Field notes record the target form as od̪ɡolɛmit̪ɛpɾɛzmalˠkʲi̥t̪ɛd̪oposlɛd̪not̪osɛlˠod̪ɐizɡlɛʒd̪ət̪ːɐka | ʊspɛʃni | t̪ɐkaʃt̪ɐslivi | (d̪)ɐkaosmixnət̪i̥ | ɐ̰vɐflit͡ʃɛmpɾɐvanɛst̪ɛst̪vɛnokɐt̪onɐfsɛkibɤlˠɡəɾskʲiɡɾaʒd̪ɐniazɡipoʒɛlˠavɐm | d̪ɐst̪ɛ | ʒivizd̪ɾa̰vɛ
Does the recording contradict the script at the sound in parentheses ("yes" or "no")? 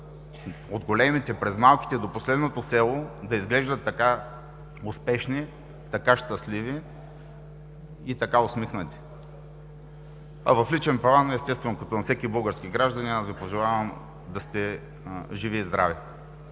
yes